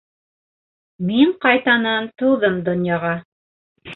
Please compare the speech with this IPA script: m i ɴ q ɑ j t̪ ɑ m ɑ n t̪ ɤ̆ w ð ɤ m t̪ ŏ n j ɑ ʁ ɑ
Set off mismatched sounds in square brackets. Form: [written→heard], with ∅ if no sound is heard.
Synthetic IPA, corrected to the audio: m i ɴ q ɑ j t̪ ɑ [m→n] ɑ n t̪ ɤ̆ w ð ɤ m [t̪→d̪] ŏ n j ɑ ʁ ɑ